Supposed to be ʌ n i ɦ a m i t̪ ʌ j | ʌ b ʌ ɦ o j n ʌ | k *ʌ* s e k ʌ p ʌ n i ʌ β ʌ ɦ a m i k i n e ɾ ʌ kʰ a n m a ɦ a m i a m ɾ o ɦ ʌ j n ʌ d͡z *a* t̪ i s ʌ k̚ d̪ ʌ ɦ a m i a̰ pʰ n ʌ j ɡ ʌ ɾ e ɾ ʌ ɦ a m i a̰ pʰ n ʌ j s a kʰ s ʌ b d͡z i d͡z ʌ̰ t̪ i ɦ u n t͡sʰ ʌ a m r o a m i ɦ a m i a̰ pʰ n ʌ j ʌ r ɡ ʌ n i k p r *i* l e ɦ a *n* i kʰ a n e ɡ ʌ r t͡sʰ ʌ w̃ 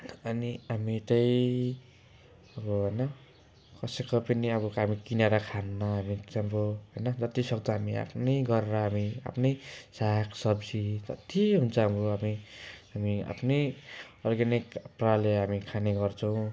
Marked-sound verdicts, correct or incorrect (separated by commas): correct, incorrect, incorrect, incorrect